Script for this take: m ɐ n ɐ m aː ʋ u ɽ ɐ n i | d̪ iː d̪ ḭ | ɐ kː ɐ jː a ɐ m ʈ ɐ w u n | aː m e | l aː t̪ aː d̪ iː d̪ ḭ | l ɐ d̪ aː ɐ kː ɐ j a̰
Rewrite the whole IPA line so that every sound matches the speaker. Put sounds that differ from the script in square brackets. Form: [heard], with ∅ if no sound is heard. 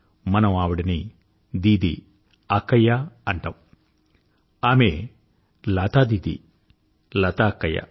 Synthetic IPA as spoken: m ɐ n ɐ m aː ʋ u ɽ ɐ n i | d̪ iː d̪ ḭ | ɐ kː ɐ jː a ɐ [ɳ] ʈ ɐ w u [∅] | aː m e | l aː t̪ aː d̪ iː d̪ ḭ | l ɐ [t̪] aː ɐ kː ɐ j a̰

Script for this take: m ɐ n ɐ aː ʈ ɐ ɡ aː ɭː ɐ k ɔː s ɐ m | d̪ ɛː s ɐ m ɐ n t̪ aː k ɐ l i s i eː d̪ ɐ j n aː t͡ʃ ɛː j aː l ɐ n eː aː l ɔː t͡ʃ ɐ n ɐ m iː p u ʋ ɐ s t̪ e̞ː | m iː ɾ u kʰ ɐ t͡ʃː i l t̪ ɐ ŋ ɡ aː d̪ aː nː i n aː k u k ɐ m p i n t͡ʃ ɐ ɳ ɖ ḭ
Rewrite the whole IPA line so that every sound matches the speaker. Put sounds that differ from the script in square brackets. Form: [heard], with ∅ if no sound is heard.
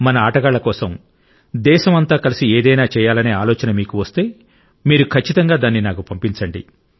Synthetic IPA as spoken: m ɐ n ɐ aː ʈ ɐ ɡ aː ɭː ɐ k ɔː s ɐ m | d̪ ɛː [ʃ] ɐ m ɐ n t̪ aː k ɐ l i s i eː d̪ ɐ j n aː t͡ʃ ɛː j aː l ɐ n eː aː l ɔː t͡ʃ ɐ n ɐ m iː [k] u ʋ ɐ s t̪ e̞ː | m iː ɾ u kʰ ɐ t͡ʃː i [∅] t̪ ɐ ŋ ɡ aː d̪ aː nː i n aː k u [p] ɐ m p i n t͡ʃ ɐ ɳ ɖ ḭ

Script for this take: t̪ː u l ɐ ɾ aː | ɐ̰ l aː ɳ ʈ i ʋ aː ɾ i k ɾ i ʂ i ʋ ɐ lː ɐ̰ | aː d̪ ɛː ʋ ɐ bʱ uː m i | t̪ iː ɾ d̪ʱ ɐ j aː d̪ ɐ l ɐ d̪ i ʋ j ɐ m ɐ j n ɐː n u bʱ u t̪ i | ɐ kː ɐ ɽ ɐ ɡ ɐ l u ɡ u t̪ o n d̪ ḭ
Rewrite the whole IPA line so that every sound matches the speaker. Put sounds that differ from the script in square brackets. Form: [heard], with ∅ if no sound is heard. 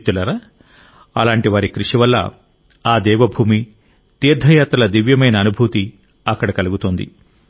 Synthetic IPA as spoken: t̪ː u l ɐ ɾ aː | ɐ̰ l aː ɳ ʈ i ʋ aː ɾ i k ɾ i ʂ i ʋ ɐ lː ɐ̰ | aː d̪ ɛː ʋ ɐ bʱ uː m i | t̪ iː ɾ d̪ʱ ɐ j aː [t̪] ɐ l ɐ d̪ i ʋ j ɐ m ɐ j n ɐː n u bʱ u t̪ i | ɐ kː ɐ ɽ ɐ [k] ɐ l u ɡ u t̪ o n d̪ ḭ

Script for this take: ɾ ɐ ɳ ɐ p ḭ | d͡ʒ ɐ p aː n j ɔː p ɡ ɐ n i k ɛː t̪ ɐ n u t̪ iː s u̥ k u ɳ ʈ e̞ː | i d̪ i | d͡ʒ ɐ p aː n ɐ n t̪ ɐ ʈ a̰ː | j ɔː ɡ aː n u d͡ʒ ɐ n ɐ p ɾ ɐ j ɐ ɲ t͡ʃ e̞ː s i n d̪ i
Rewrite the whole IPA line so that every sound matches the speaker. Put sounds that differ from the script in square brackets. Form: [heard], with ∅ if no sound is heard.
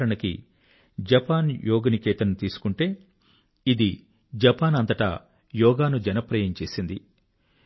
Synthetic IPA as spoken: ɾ ɐ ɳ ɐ [k] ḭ | d͡ʒ ɐ p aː n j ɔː [∅] ɡ ɐ n i k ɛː t̪ ɐ n u t̪ iː s u̥ k u ɳ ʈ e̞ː | i d̪ i | d͡ʒ ɐ p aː n ɐ n t̪ ɐ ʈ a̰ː | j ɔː ɡ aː n u d͡ʒ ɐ n ɐ p ɾ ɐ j ɐ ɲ t͡ʃ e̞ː s i n d̪ i

